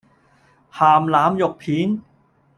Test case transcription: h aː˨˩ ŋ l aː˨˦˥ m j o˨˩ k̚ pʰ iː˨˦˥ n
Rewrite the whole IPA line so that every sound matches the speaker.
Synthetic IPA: h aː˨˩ m l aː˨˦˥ m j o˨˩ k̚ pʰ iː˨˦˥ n